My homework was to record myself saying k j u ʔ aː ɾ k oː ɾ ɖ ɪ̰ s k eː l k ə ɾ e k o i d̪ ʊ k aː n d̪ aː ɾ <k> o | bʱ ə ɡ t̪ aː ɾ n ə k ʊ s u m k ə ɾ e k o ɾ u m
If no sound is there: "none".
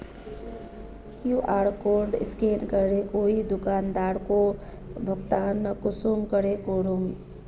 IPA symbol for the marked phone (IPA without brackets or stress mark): k